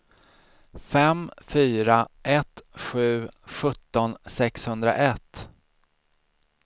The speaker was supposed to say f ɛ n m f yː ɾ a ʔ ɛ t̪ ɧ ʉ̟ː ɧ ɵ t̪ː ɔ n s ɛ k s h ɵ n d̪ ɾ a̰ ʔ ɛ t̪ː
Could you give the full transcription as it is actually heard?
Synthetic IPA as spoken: f ɛ m f yː ɾ a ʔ ɛ t̪ ɧ ʉ̟ː ɧ ɵ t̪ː ɔ n s ɛ k s h ɵ n d̪ ɾ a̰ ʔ ɛ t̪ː